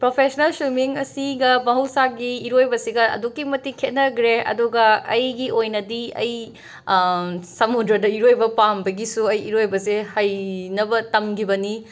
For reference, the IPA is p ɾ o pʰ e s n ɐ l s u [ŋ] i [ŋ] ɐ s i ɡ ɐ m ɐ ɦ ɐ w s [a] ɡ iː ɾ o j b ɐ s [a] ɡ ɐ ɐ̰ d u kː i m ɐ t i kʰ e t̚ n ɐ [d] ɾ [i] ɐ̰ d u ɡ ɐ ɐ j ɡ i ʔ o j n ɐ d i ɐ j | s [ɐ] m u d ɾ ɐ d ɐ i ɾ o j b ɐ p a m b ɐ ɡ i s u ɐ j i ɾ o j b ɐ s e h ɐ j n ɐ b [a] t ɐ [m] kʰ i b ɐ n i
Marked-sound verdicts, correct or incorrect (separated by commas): incorrect, correct, correct, incorrect, incorrect, incorrect, correct, incorrect, correct